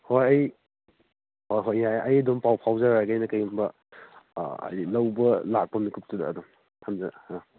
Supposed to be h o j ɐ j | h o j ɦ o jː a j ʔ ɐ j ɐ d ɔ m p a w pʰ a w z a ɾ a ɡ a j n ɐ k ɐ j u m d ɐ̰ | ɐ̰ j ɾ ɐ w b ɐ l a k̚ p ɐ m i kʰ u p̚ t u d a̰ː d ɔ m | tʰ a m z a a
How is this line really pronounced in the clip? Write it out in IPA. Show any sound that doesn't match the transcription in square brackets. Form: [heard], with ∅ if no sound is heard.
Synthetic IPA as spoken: h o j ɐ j | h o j ɦ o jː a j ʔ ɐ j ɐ d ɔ m p a w pʰ a w z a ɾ a ɡ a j n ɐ k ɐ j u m [b] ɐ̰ | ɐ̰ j [l] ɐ w b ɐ l a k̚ p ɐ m i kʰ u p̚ t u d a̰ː d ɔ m | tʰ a m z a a